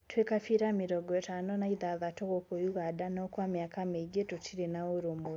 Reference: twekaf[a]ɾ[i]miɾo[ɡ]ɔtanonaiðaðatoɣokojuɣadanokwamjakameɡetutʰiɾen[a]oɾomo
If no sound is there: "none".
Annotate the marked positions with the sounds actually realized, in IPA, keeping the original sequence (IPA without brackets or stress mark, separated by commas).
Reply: i, a, ɡ, a